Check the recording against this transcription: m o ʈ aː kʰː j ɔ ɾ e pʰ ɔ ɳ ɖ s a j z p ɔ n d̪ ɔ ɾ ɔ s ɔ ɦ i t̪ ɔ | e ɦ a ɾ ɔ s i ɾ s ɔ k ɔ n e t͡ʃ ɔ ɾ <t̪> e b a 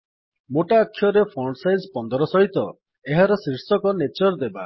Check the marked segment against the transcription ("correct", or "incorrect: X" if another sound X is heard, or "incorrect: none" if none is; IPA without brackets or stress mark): incorrect: d̪